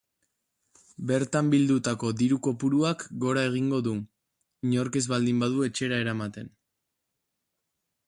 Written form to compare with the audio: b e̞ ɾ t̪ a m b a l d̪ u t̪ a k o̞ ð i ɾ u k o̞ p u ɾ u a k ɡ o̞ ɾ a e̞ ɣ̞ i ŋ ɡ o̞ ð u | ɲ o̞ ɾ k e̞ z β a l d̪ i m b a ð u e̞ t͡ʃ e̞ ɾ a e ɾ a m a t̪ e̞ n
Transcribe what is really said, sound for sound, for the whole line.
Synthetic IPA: b e̞ ɾ t̪ a m b i l d̪ u t̪ a k o̞ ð i ɾ u k o̞ p u ɾ u a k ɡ o̞ ɾ a e̞ ɣ̞ i ŋ ɡ o̞ ð u | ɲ o̞ ɾ k e̞ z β a l d̪ i m b a ð u e̞ t͡ʃ e̞ ɾ a e ɾ a m a t̪ e̞ n